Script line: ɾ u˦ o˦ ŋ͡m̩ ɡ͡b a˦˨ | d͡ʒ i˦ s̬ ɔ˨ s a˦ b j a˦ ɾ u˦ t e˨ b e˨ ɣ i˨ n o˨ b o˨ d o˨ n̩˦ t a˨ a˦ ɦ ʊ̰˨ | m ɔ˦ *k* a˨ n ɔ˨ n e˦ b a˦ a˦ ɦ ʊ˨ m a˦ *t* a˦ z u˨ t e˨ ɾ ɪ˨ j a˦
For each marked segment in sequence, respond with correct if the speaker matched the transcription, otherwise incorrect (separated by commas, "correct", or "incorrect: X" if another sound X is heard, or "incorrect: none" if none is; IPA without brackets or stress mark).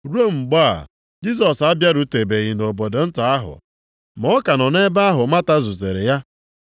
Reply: correct, correct